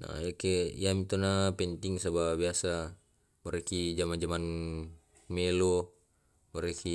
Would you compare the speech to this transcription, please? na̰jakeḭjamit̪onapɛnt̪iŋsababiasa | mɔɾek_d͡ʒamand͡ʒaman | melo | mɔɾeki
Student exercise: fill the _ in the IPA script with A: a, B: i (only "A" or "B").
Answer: B